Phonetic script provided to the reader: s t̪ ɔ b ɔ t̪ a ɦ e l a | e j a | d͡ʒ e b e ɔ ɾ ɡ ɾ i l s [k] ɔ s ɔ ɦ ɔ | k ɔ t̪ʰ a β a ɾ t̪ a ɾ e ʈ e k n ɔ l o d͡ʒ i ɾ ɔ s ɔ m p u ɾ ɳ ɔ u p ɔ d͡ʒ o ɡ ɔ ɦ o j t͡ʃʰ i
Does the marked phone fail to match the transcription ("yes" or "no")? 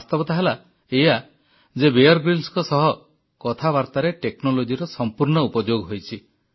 no